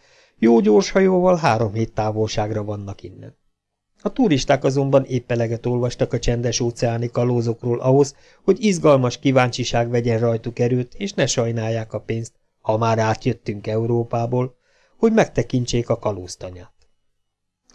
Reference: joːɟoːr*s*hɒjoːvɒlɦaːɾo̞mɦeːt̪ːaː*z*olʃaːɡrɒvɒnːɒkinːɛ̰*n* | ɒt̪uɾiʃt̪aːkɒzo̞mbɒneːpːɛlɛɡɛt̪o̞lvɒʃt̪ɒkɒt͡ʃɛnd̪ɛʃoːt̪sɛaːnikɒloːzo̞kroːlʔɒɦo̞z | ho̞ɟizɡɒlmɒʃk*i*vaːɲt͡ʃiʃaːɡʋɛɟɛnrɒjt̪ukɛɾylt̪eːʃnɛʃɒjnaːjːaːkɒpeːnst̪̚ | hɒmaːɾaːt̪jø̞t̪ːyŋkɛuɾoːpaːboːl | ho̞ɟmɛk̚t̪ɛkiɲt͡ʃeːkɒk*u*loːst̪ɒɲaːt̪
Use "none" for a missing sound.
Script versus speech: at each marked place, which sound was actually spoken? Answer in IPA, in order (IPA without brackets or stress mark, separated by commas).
ʃ, v, n, i, ɒ